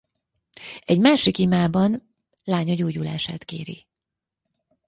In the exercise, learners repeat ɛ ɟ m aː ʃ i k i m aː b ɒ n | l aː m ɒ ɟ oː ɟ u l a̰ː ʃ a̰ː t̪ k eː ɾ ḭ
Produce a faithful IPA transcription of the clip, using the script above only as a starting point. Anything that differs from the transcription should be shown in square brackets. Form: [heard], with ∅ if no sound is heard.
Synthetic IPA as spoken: ɛ ɟ m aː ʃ i k i m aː b ɒ n | l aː [ɲ] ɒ ɟ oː ɟ u l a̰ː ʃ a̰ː t̪ k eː ɾ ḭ